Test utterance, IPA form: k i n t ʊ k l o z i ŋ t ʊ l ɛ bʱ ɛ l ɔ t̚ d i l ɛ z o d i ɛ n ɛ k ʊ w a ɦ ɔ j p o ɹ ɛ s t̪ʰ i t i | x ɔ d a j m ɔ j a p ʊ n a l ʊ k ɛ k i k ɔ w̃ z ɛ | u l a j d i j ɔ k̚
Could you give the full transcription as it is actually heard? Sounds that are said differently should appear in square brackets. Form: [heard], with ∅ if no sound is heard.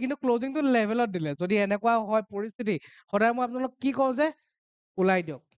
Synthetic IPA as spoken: k i n t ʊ k l o z i ŋ t ʊ l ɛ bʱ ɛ l ɔ t̚ d i l ɛ z o d i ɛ n ɛ k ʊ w a ɦ ɔ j p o ɹ [i] s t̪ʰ i t i | x ɔ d a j m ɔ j a p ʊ n a l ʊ k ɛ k i k ɔ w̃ z ɛ | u l a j d i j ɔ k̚